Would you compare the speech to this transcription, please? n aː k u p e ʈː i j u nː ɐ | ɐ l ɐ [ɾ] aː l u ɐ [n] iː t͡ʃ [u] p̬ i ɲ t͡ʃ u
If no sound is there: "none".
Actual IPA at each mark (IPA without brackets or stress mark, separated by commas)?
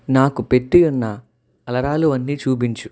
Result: ɾ, nː, uː